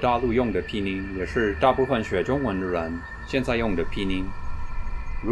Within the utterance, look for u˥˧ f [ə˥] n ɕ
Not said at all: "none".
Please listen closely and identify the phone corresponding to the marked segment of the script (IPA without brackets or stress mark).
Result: ə˨˩